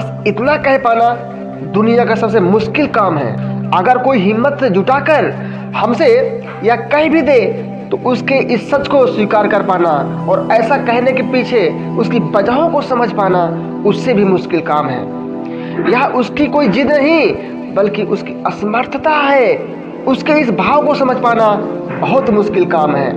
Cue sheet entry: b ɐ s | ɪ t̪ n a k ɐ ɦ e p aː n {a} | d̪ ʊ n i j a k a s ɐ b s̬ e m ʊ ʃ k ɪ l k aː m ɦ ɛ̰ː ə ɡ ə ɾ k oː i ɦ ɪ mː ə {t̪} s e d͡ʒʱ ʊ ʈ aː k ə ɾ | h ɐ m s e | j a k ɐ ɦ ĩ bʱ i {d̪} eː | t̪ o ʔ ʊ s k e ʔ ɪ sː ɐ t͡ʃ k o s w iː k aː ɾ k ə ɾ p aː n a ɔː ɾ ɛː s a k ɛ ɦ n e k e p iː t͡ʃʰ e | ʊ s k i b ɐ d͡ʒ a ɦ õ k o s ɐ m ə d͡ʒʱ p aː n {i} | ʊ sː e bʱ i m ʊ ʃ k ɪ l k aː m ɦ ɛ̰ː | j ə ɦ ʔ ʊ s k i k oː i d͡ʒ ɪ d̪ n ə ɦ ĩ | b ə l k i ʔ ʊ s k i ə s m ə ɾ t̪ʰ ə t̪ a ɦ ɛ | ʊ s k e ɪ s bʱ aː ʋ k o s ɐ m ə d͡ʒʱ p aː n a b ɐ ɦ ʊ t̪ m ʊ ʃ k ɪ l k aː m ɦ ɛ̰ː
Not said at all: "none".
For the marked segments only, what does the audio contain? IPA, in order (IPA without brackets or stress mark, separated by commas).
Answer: a, t̪, d̪, a